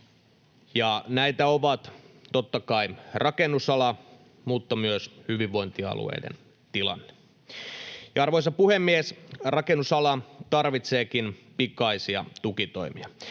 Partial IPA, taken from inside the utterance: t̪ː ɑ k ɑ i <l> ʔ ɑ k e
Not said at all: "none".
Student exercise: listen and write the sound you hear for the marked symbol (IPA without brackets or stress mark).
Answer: r